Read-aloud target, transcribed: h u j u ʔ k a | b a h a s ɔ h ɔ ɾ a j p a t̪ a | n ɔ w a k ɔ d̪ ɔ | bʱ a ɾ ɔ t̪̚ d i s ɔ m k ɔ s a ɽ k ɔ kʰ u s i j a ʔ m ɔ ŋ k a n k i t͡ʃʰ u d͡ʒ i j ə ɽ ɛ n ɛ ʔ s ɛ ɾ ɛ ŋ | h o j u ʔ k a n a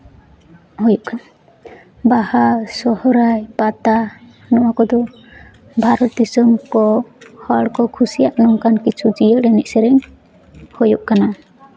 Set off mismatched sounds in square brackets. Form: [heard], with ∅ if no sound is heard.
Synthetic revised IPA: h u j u ʔ k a | b a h a s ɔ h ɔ ɾ a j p a t̪ a | n ɔ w a k ɔ d̪ ɔ | bʱ a ɾ ɔ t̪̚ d i s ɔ m k ɔ [h] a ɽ k ɔ kʰ u s i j a ʔ [n] ɔ ŋ k a n k i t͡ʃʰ u d͡ʒ i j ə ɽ ɛ n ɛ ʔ s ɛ ɾ ɛ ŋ | h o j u ʔ k a n a